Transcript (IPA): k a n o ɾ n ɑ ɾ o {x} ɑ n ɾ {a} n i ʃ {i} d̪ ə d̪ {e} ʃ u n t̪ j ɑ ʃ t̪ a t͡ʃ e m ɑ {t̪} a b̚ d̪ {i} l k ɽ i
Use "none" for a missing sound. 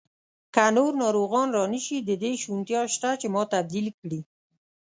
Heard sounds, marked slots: ɣ, ɑ, i, e, t̪, i

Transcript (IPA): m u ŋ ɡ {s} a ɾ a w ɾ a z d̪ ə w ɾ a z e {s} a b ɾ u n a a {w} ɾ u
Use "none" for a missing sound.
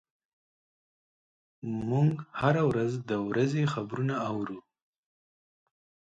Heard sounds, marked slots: h, x, w

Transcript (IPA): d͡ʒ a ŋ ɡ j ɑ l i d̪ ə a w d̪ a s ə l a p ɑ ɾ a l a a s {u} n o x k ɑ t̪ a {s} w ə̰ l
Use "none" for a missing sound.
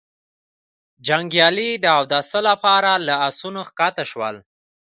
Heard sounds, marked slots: u, ʃ

